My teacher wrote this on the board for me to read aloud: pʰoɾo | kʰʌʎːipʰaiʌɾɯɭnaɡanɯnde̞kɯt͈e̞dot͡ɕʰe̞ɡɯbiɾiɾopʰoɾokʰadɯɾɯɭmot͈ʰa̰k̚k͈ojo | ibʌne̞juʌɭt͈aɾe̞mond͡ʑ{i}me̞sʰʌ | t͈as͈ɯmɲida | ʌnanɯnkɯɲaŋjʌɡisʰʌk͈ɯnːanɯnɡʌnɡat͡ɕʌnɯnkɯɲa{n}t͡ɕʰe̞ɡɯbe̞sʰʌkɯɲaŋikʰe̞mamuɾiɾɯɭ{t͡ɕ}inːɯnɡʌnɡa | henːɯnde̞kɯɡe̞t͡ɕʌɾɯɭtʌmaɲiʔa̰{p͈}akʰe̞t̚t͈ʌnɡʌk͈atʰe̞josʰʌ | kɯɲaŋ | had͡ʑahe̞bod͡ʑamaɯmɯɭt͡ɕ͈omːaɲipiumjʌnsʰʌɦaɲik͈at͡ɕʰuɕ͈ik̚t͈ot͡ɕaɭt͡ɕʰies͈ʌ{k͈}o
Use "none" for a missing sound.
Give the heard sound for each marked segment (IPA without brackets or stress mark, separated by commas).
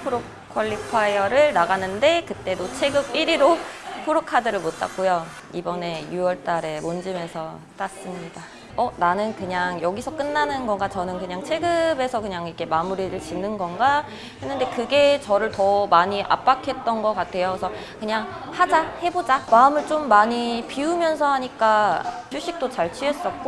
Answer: i, ŋ, t͡ɕ, p͈, k͈